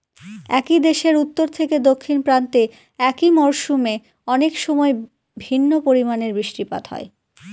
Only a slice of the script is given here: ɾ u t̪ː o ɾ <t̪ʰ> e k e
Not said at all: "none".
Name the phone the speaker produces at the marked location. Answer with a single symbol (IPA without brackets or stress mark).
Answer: t̪ʰ